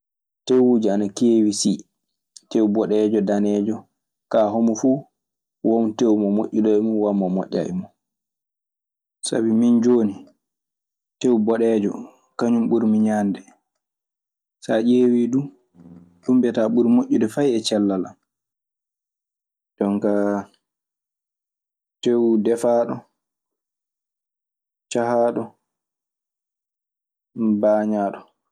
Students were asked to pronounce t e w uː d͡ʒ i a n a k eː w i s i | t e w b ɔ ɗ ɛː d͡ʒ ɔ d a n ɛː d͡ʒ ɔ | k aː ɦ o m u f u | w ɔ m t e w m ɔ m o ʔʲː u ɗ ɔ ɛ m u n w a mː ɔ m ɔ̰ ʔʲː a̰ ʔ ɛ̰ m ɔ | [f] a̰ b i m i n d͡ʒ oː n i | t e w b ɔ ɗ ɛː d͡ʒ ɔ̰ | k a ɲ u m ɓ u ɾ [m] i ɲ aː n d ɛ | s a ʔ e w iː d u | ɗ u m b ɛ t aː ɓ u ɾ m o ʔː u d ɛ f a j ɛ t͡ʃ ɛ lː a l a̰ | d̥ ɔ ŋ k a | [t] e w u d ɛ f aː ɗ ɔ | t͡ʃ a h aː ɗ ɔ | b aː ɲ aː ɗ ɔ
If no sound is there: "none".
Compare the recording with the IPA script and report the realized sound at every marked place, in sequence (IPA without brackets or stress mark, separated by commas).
s, m, t